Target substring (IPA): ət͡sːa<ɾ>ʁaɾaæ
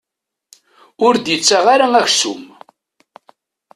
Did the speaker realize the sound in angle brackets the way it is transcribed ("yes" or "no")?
no